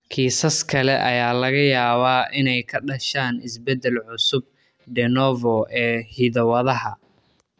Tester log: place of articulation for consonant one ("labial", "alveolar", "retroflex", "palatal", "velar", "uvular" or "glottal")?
velar